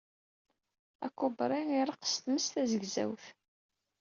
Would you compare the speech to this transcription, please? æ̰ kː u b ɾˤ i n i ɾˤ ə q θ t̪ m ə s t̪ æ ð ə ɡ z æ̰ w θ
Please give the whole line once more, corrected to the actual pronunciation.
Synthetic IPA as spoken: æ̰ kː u b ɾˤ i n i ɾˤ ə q s t̪ m ə s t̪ æ z ə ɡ z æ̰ w θ

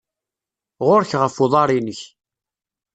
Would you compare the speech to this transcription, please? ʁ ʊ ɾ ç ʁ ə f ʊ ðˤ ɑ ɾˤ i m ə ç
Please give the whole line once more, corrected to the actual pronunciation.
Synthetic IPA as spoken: ʁ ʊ ɾ ç ʁ ə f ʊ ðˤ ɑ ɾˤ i n ə ç

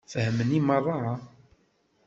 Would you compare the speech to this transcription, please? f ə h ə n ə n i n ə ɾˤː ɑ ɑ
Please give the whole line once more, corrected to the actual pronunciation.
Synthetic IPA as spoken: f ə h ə m ə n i m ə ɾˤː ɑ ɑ

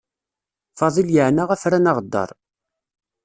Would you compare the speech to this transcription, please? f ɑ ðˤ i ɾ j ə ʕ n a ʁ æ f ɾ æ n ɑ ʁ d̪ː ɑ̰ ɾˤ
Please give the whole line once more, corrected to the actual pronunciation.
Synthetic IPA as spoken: f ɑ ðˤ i l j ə ʕ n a ʁ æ f ɾ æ n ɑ ʁ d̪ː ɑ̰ ɾˤ

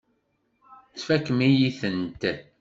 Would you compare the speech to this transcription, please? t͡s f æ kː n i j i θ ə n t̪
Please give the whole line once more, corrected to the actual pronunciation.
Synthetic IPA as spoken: t͡s f æ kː m i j i θ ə n t̪

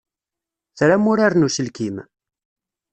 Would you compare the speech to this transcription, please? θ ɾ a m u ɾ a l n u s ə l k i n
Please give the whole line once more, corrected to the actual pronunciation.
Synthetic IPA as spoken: θ ɾ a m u ɾ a ɾ n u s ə l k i m

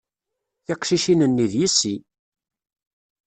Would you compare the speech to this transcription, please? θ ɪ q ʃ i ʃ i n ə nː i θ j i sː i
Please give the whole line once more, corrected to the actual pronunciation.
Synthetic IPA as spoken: θ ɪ q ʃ i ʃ i n ə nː i ð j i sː i

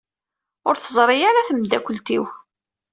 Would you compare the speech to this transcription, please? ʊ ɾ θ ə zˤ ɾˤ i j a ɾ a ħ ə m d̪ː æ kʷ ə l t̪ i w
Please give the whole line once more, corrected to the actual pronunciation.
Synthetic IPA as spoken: ʊ ɾ θ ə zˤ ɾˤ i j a ɾ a θ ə m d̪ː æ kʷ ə l t̪ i w

